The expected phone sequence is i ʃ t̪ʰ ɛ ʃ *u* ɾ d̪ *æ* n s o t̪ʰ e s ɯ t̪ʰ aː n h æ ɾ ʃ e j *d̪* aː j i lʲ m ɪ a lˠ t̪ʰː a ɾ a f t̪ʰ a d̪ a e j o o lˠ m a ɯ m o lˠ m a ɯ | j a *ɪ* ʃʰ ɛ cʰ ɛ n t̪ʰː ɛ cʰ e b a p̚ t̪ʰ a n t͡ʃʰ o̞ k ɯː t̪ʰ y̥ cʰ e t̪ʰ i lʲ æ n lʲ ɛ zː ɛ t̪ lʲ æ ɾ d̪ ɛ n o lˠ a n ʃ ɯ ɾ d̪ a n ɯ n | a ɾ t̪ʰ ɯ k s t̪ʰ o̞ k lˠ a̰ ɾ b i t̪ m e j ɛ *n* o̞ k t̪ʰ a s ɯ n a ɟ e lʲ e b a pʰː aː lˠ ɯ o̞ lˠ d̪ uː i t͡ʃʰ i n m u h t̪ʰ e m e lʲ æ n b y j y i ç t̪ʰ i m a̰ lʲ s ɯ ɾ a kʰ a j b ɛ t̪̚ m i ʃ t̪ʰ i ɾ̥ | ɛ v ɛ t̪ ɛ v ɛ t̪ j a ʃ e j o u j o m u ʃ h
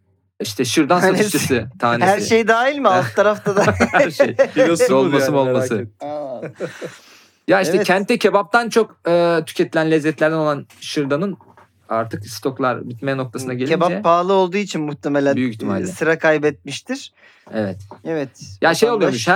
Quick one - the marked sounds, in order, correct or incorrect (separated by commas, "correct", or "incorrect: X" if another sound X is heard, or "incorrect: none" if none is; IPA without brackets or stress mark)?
incorrect: ɯ, incorrect: a, correct, incorrect: i, correct